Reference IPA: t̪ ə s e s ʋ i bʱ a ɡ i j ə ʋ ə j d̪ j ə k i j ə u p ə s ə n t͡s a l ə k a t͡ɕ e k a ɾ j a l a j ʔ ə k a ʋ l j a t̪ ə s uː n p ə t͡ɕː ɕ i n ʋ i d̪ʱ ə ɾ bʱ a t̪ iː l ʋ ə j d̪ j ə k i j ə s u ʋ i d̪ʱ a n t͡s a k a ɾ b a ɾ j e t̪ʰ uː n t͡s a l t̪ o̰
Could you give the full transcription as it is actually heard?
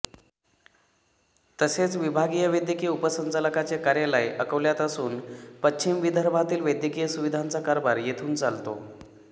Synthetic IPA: t̪ ə s e t͡s ʋ i bʱ a ɡ i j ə ʋ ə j d̪ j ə k i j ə u p ə s ə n t͡s a l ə k a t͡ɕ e k a ɾ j a l a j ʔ ə k ə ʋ l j a t̪ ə s uː n p ə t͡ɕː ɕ i m ʋ i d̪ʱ ə ɾ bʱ a t̪ iː l ʋ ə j d̪ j ə k i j ə s u ʋ i d̪ʱ a n t͡s a k a ɾ b a ɾ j e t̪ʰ uː n t͡s a l t̪ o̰

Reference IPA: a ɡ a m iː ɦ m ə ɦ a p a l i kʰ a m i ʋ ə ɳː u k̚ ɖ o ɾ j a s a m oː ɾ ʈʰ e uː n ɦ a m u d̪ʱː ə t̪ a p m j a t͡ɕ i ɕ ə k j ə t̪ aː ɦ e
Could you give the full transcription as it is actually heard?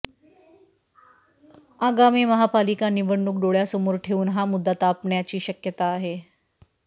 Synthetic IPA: a ɡ a m iː m ə ɦ a p a l i k a n i ʋ ə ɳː u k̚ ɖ o ɭ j a s ə m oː ɾ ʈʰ e uː n ɦ a m u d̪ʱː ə t̪ a p ɳ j a t͡ɕ iː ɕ ə k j ə t̪ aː ɦ e

